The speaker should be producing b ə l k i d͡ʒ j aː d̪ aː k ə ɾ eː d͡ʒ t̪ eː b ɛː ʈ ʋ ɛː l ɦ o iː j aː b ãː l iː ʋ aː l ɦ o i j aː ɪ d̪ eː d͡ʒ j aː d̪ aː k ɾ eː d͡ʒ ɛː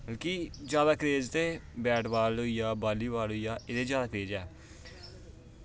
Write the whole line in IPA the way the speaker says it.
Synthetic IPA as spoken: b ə l k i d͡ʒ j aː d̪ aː k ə ɾ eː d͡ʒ t̪ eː b ɛː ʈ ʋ aː l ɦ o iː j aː b aː l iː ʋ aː l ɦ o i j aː ɪ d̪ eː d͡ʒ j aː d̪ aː k ɾ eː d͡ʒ ɛː

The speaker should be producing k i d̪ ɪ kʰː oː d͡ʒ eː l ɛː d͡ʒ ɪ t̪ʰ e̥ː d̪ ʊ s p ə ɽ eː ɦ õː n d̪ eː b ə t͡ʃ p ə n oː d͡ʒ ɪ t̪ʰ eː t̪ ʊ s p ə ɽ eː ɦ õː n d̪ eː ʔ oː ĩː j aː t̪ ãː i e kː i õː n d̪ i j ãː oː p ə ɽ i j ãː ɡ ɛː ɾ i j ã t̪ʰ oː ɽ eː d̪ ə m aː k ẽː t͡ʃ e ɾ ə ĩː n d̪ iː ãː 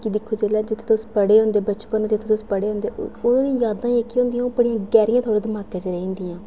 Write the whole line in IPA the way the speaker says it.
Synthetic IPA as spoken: k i d̪ ɪ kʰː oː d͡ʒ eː l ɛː d͡ʒ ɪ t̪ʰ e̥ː t̪ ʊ s p ə ɽ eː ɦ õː n d̪ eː b ə t͡ʃ p ə n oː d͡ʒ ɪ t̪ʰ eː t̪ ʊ s p ə ɽ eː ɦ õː n d̪ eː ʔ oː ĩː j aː d̪ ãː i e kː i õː n d̪ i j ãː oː p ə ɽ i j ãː ɡ ɛː ɾ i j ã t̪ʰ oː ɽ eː d̪ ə m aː k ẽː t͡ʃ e ɾ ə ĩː n d̪ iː ãː

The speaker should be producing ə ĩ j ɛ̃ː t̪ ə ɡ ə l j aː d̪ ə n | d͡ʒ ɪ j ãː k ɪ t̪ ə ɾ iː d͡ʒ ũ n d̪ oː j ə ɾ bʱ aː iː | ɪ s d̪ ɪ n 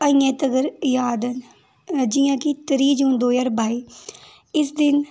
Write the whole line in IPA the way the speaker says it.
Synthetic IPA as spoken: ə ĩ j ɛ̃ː t̪ ə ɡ ə ɾ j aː d̪ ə n | d͡ʒ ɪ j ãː k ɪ t̪ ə ɾ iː d͡ʒ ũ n d̪ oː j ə ɾ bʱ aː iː | ɪ s d̪ ɪ n

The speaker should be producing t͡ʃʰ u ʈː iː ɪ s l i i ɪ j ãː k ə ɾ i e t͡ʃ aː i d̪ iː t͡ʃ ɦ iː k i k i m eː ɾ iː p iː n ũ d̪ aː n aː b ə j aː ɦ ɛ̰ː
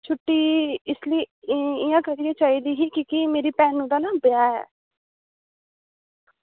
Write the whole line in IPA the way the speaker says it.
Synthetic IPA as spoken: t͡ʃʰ ʊ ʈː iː ɪ s l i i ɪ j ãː k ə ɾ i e t͡ʃ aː i d̪ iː ɦ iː k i k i m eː ɾ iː p ɛː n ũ d̪ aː n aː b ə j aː ɦ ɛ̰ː

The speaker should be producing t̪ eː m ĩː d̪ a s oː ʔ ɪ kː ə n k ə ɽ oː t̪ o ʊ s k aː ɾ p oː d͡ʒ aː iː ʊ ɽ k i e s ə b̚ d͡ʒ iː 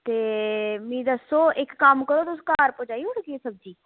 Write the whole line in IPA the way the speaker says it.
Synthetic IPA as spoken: t̪ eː m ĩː d̪ ə s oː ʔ ɪ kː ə m k ə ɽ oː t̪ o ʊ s k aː ɾ p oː d͡ʒ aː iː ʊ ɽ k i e s ə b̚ d͡ʒ iː

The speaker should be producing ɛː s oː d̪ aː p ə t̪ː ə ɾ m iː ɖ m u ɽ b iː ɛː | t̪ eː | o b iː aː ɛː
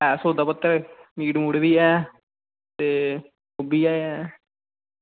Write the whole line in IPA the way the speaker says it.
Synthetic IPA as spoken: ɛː s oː d̪ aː p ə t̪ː ə ɾ m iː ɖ m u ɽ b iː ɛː | t̪ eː | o b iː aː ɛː

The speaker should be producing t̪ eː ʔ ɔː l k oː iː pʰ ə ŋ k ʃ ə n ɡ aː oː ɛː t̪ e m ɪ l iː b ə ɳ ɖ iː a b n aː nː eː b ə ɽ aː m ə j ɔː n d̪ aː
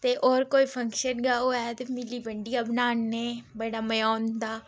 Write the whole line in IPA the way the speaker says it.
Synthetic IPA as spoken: t̪ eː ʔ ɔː ɾ k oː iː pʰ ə ŋ k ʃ ə n ɡ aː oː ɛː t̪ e m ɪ l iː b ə ɳ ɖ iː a b n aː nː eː b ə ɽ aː m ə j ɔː n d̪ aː

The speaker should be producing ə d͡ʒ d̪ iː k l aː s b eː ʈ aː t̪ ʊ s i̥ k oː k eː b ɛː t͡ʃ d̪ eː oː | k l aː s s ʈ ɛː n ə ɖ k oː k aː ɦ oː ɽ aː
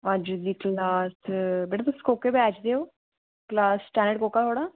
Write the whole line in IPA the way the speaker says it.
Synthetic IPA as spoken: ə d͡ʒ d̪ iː k l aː s b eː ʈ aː t̪ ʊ s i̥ k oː k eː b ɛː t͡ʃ d̪ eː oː | k l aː s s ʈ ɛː n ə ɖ k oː k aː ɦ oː ɽ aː

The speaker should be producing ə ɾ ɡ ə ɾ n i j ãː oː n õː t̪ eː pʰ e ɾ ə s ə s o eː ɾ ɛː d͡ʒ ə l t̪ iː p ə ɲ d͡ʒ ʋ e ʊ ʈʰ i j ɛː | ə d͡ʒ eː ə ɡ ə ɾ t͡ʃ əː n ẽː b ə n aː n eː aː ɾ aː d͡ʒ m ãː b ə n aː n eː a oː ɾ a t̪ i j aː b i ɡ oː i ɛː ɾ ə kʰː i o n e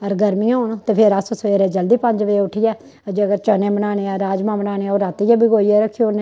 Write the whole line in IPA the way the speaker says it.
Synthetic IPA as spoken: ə ɾ ɡ ə ɾ m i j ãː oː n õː t̪ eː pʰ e ɾ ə s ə s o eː ɾ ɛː d͡ʒ ə l d̪ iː p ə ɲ d͡ʒ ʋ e ʊ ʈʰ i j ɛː | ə d͡ʒ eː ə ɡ ə ɾ t͡ʃ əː n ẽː b ə n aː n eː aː ɾ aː d͡ʒ m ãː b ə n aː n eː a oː ɾ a t̪ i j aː b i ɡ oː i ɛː ɾ ə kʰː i o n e

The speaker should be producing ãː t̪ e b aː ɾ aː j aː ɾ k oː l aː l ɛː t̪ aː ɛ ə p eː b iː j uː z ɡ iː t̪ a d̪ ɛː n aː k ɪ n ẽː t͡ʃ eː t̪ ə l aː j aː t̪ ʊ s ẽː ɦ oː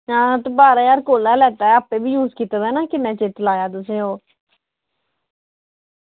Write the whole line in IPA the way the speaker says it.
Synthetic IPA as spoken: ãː t̪ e b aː ɾ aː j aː ɾ k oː l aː l ɛː t̪ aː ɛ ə p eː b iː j uː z k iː t̪ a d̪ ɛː n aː k ɪ n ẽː t͡ʃ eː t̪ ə l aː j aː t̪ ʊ s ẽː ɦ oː

